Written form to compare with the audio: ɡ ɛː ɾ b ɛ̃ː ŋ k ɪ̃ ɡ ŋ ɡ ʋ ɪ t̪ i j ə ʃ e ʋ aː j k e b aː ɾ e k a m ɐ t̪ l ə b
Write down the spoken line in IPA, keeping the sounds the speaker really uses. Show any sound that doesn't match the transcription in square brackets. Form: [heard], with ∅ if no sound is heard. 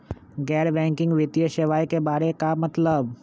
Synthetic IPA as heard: ɡ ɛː ɾ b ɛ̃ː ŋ k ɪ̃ [∅] ŋ ɡ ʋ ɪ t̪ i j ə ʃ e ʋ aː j k e b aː ɾ e k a m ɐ t̪ l ə b